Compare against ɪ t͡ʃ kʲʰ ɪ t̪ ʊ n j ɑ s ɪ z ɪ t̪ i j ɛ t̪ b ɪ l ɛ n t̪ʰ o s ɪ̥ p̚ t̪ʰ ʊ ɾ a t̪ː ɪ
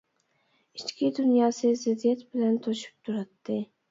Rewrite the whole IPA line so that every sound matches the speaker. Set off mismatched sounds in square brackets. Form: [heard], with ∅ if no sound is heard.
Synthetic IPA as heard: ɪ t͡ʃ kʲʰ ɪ [d̪] ʊ n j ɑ s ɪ z ɪ [d̪] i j [a] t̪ b ɪ l [a] n t̪ʰ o [ʃ] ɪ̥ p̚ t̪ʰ ʊ ɾ a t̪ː ɪ